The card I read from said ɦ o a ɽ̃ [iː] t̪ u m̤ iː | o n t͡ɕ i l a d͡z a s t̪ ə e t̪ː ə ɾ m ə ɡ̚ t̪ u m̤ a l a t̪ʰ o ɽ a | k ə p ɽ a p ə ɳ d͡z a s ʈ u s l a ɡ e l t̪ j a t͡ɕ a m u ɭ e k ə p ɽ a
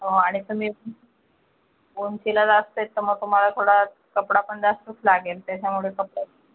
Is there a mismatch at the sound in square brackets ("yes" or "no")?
yes